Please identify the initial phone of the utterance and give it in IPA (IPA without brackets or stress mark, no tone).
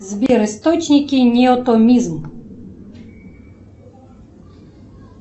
z